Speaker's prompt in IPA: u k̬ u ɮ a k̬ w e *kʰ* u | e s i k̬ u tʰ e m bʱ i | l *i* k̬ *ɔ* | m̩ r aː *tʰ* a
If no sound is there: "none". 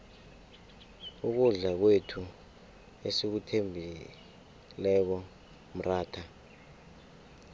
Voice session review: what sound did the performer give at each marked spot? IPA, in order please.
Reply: tʰ, ɛ, ɔ, tʰ

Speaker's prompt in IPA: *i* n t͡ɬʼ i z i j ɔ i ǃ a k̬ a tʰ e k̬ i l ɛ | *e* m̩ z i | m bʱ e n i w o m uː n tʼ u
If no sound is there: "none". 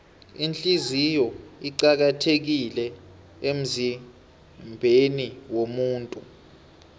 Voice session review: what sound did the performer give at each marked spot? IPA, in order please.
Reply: i, e

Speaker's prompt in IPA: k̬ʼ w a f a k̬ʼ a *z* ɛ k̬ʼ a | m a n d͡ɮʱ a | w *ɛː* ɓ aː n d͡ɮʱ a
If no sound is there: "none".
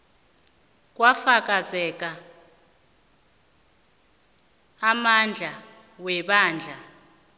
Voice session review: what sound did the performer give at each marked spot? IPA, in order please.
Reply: z, ɛ

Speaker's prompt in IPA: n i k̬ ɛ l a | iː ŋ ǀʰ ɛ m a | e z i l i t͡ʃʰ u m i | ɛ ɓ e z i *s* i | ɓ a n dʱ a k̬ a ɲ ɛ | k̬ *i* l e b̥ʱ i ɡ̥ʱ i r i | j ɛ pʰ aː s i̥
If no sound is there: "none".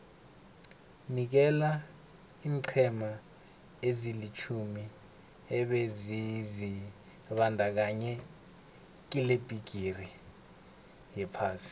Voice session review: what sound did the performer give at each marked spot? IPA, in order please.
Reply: z, i

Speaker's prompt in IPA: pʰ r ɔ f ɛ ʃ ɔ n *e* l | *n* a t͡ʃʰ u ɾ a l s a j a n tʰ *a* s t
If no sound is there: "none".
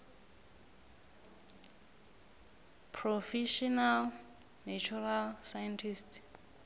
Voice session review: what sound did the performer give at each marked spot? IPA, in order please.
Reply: a, n, i

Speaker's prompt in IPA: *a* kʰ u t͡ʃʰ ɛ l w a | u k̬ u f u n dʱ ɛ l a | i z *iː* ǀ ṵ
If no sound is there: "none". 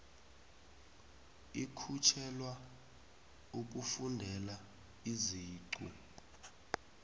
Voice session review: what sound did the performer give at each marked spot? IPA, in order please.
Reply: i, iː

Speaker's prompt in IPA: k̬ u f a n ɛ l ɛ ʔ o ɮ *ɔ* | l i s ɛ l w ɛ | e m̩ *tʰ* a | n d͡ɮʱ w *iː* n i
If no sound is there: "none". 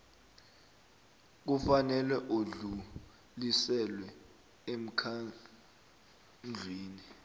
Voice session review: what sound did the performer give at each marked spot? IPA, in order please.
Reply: u, kʰ, iː

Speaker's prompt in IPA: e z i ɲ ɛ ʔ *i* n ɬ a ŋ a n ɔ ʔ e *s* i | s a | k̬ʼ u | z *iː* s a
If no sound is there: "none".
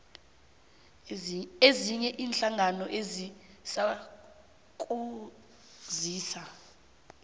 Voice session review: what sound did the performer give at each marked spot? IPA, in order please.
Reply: iː, z, iː

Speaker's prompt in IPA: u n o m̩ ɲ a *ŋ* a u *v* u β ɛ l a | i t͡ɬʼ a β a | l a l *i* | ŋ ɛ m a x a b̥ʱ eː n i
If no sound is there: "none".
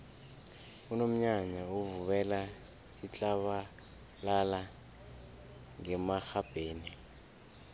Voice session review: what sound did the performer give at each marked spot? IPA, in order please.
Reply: ɲ, v, a

